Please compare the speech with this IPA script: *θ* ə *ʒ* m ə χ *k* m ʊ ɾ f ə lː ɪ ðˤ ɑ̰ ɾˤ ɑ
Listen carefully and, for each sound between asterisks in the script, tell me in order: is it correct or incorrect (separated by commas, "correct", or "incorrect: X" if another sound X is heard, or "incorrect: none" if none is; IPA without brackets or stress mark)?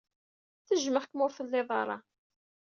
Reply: correct, correct, correct